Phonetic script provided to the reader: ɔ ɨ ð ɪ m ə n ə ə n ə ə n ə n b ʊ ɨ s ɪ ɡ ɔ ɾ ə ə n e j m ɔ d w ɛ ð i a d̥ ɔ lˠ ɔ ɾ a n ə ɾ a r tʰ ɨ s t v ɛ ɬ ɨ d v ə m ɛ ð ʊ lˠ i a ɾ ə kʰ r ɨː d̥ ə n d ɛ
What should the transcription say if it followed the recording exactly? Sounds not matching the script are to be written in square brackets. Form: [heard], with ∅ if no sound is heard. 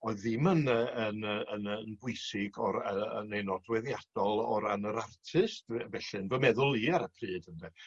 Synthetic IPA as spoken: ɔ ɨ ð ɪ m ə n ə ə n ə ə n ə n b ʊ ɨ s ɪ ɡ ɔ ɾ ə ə n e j [n] ɔ d w ɛ ð [j] a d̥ ɔ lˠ ɔ ɾ a n ə ɾ a r tʰ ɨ s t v ɛ ɬ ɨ [n] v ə m ɛ ð ʊ lˠ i a ɾ ə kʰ r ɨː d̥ ə n d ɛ